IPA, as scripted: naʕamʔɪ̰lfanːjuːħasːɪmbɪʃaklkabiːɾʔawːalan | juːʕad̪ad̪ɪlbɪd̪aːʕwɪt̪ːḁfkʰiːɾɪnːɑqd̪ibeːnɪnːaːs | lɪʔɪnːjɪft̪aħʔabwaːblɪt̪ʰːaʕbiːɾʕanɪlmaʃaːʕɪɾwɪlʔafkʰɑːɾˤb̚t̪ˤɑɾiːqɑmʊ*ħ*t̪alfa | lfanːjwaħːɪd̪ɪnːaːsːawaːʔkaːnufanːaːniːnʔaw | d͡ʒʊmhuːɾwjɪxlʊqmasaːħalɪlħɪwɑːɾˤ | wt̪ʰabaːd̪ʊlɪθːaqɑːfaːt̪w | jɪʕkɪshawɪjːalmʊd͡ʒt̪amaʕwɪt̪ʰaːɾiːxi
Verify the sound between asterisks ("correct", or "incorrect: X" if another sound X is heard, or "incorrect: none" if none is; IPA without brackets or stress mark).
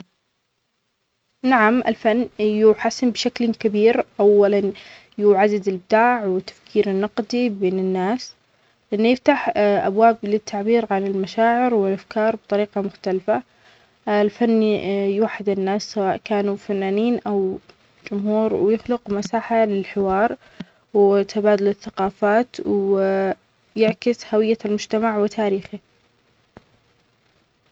incorrect: x